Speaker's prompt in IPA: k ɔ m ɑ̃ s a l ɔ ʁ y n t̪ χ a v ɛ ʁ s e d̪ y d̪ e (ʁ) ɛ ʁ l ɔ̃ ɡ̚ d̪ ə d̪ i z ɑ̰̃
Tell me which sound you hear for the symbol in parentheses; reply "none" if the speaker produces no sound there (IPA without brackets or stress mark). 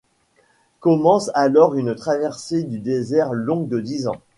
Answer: z